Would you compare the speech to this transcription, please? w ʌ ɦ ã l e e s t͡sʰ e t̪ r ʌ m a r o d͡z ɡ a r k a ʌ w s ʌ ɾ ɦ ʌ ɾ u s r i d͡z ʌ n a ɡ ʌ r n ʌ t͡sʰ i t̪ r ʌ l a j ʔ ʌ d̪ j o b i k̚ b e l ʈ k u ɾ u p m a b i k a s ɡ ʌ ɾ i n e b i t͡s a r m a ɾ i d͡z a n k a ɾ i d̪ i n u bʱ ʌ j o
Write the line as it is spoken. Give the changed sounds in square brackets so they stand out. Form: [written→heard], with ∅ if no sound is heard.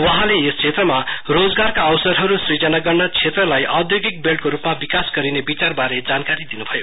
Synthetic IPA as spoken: w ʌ ɦ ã l e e s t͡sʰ e t̪ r ʌ m a r o d͡z ɡ a r k a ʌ w s ʌ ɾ ɦ ʌ ɾ u s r i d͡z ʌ n a ɡ ʌ r n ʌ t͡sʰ [i→e] t̪ r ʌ l a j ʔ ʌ d̪ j o [b→ɡ] i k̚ b e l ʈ k [u→o] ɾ u p m a b i k a s ɡ ʌ ɾ i n e b i t͡s a r [m→b] a ɾ [i→e] d͡z a n k a ɾ i d̪ i n u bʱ ʌ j o